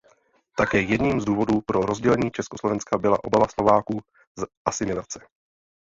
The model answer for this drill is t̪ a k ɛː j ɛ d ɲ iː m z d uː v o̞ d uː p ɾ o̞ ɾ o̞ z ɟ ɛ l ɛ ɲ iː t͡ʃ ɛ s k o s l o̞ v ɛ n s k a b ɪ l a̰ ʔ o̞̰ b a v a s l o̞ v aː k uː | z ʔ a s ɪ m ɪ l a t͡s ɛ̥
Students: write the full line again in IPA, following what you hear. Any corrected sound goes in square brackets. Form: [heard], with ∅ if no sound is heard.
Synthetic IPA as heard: t̪ a k ɛː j ɛ d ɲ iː m z d uː v o̞ d uː p ɾ o̞ ɾ o̞ z ɟ ɛ l ɛ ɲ iː t͡ʃ ɛ s k o s l o̞ v ɛ n s k a b ɪ l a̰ ʔ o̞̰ b a v a s l o̞ v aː k uː | z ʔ a s ɪ m ɪ l a t͡s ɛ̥